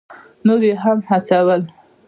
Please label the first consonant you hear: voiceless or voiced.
voiced